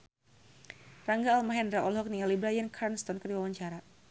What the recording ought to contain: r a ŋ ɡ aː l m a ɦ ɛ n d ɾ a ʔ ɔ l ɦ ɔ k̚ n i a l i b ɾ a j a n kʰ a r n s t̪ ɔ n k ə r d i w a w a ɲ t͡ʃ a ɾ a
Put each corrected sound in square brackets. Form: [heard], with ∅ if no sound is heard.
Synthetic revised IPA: r a ŋ ɡ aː l m a ɦ ɛ n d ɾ a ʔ ɔ l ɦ ɔ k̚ n i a l i b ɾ a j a n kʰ a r n s t̪ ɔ n k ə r d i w a w a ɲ t͡ʃ a ɾ a